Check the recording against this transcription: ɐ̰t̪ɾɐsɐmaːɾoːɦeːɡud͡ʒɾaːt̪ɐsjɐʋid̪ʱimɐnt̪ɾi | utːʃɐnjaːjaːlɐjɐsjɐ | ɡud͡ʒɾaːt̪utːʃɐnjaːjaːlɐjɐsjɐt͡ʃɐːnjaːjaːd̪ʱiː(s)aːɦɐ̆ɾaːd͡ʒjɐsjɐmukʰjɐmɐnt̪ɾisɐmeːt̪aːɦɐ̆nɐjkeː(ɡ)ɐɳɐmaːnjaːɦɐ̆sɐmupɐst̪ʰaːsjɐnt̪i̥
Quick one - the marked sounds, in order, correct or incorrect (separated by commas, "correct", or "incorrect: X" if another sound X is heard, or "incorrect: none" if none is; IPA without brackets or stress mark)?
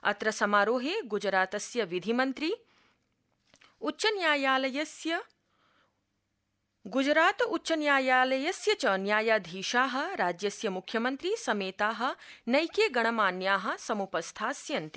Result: incorrect: ʃ, correct